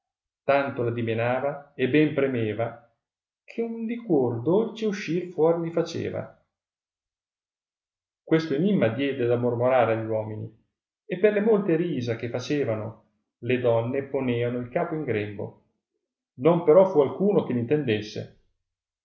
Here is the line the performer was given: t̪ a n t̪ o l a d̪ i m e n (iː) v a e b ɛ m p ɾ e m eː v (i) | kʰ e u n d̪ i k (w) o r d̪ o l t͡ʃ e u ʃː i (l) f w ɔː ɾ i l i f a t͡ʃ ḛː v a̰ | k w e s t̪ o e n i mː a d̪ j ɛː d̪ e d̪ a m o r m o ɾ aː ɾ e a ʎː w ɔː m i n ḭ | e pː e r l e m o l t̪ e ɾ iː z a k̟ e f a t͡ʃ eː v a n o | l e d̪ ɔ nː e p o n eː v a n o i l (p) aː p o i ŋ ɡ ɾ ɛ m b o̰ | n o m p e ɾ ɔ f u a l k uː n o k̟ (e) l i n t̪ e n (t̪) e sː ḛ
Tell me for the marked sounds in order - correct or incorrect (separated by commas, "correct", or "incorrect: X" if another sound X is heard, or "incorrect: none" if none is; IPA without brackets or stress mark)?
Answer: incorrect: aː, incorrect: a, correct, incorrect: r, incorrect: k, correct, incorrect: d̪